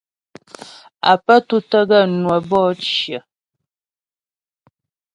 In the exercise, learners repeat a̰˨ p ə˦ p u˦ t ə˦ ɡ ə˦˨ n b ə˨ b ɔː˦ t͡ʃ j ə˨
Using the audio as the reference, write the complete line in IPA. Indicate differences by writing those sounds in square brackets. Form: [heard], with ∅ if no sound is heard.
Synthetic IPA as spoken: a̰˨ p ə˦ [t] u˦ t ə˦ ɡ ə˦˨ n [w] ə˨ b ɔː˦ t͡ʃ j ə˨